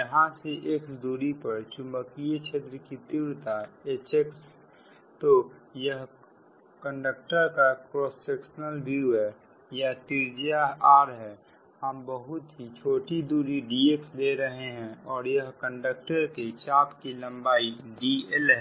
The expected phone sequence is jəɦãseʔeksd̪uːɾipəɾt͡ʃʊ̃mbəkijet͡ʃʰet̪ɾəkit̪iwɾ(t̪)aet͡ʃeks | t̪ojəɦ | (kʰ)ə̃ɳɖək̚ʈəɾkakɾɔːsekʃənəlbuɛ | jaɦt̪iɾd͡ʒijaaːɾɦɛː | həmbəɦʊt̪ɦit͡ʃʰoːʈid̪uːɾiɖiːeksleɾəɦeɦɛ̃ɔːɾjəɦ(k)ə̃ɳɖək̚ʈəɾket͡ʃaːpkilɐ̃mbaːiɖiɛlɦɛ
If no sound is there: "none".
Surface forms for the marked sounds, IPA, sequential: t̪, k, k

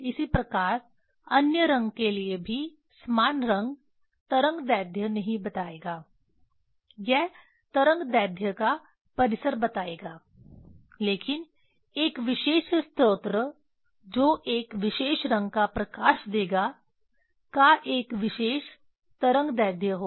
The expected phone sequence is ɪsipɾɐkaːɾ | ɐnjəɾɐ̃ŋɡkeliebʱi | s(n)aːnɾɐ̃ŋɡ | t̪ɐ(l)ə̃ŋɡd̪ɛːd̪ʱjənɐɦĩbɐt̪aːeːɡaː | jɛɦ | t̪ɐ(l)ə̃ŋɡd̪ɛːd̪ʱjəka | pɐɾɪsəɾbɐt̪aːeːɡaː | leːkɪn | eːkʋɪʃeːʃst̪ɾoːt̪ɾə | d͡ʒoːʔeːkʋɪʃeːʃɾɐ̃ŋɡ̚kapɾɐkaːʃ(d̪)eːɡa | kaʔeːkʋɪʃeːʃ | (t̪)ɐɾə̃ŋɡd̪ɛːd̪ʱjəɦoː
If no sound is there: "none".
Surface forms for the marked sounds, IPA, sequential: m, ɾ, ɾ, d̪, t̪

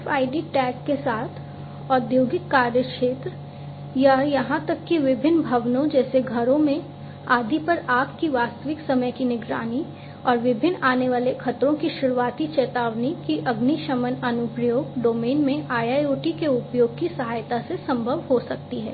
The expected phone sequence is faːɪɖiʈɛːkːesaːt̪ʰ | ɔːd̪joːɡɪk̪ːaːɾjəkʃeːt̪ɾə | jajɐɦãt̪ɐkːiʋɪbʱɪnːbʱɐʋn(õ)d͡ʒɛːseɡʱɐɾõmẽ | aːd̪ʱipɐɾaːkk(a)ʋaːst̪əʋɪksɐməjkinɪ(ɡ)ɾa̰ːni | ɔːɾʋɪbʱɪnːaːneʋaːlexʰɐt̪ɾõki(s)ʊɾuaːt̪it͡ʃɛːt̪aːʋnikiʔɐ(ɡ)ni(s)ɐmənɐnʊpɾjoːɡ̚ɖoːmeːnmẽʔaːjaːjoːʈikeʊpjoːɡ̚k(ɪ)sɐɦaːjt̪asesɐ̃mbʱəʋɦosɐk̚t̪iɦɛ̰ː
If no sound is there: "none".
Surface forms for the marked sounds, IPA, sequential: õ, i, ɡ, ʃ, ɡ, ʃ, i

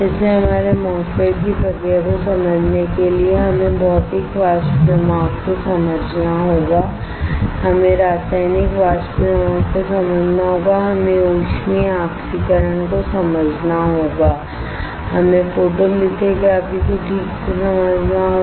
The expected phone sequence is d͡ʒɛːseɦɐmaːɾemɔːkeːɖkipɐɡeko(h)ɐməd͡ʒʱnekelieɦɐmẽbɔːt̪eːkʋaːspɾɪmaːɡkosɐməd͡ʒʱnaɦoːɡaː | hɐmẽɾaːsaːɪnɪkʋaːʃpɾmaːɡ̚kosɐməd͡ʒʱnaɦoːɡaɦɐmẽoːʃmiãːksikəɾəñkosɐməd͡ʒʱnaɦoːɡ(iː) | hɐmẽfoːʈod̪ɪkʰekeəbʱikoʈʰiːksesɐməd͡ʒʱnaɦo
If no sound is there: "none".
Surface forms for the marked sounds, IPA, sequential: s, aː

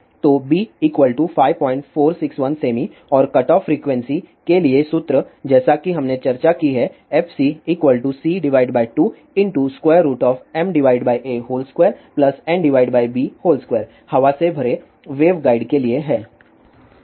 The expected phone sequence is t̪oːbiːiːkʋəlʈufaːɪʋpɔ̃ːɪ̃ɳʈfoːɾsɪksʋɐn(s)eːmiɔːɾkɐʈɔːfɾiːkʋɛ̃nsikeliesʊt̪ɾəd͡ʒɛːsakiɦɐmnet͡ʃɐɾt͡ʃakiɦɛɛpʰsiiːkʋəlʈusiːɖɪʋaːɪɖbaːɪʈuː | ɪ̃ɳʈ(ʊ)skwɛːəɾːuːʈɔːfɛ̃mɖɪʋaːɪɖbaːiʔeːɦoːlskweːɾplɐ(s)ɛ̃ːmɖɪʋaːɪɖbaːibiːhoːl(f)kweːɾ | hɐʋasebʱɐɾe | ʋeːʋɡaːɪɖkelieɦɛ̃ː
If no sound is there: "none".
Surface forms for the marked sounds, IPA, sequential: s, u, s, s

